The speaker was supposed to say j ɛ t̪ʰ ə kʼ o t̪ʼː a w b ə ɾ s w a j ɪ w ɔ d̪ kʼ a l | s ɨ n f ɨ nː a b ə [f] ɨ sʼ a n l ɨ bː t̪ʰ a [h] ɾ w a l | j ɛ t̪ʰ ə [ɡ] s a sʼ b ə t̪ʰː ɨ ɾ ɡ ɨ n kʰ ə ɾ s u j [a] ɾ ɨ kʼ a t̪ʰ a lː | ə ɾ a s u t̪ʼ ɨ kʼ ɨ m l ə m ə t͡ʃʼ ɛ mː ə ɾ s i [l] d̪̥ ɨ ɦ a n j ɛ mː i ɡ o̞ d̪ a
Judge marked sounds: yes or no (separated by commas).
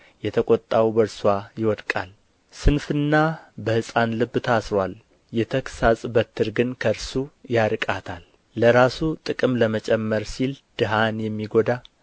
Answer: no, no, no, yes, yes